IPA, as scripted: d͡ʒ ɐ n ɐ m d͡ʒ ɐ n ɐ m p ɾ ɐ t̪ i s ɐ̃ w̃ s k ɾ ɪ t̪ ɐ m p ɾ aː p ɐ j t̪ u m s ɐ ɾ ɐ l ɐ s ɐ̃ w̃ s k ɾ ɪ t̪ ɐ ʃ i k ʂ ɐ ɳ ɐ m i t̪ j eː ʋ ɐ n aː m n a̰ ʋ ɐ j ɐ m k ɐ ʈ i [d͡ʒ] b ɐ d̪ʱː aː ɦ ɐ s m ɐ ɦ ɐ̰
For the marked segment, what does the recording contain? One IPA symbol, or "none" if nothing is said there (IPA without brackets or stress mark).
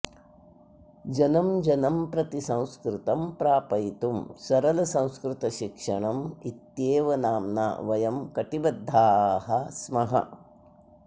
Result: none